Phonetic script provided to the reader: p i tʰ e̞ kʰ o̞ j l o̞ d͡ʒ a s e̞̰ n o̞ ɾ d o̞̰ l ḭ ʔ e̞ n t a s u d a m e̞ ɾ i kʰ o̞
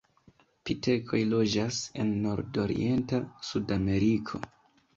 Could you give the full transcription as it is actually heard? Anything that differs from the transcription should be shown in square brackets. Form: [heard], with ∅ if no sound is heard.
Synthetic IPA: p i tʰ e̞ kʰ o̞ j l o̞ d͡ʒ a s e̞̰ [nː] o̞ ɾ d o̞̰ [ɾ] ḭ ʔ e̞ n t a s u d a m e̞ ɾ i kʰ o̞